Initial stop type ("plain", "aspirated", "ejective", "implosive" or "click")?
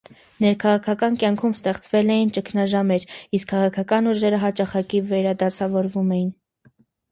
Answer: aspirated